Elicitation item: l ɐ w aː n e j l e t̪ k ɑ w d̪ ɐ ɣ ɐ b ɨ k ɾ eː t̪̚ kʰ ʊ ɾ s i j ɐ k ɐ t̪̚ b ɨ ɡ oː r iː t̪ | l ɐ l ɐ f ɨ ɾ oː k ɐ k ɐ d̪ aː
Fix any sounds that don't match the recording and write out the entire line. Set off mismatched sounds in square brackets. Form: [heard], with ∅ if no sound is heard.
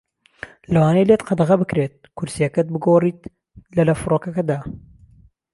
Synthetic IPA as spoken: l ɐ w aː n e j l e t̪ [q] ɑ [∅] d̪ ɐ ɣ ɐ b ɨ k ɾ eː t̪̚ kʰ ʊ ɾ s i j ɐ k ɐ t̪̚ b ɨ ɡ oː r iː t̪ | l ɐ l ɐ f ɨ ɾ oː k ɐ k ɐ d̪ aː